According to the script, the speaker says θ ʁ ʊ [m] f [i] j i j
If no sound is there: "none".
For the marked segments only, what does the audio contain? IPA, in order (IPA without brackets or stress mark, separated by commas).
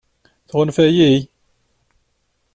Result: n, æ